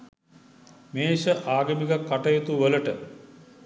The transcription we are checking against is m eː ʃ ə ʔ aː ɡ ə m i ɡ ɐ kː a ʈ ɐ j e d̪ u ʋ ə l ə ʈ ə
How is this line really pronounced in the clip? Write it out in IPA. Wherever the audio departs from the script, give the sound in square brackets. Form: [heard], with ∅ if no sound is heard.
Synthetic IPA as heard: m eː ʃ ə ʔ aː ɡ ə m i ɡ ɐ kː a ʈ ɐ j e [t̪] u ʋ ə l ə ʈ ə

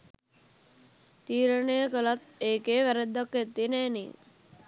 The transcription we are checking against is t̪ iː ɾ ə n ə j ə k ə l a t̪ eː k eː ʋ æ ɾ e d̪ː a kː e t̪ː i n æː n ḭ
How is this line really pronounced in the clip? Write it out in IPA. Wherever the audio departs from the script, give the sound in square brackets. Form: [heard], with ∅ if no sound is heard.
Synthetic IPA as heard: t̪ iː ɾ ə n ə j ə k ə l a t̪ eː k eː ʋ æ ɾ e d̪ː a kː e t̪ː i n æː n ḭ

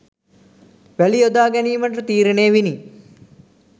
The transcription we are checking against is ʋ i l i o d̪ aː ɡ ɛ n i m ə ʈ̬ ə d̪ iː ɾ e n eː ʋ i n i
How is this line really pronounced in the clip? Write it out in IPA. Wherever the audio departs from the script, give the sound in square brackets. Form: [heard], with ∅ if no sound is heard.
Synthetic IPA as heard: ʋ [æ] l i o d̪ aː ɡ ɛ n [iː] m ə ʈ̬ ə [t̪] iː ɾ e n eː ʋ i n i

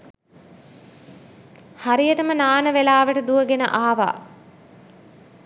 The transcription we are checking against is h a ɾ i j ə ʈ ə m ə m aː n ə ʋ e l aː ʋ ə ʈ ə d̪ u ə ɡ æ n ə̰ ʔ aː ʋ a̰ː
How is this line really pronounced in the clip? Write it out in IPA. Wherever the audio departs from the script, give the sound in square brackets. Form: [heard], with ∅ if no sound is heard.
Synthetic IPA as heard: h a ɾ i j ə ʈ ə m ə [n] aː n ə ʋ e l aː ʋ ə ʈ ə d̪ u ə ɡ [e] n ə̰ ʔ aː ʋ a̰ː

